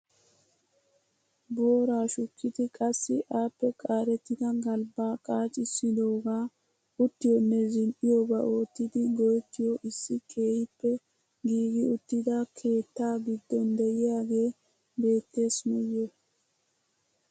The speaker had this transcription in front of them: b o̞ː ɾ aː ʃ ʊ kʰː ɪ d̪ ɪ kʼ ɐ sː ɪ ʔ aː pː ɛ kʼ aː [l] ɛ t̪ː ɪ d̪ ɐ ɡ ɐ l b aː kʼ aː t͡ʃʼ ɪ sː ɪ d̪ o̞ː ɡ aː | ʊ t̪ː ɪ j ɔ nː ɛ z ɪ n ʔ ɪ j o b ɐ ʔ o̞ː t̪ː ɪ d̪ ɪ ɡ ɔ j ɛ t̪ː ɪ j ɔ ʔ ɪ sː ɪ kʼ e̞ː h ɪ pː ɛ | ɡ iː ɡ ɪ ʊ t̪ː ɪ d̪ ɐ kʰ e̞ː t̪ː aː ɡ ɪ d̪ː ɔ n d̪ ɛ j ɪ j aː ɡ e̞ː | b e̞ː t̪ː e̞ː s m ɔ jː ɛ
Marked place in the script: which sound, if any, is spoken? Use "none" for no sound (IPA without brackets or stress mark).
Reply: ɾ